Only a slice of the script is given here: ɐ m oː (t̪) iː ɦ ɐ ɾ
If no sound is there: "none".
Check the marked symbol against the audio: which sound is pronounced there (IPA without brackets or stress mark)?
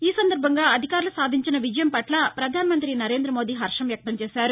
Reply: d̪